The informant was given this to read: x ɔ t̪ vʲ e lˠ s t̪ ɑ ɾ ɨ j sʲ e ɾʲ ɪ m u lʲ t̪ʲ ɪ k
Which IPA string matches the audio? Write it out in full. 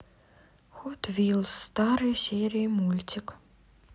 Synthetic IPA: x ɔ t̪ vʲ i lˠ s t̪ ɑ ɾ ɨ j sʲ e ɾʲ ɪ m u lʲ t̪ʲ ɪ k